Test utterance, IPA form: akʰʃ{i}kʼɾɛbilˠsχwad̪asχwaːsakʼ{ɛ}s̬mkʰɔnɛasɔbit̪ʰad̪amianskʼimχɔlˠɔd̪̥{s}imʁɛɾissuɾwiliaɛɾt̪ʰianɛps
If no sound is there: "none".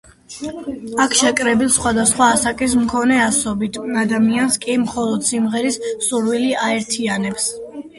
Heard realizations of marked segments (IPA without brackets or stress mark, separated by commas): ɛ, i, s